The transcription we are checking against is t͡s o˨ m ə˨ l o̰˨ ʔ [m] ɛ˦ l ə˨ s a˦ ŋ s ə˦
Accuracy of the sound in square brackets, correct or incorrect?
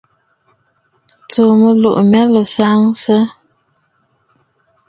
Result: correct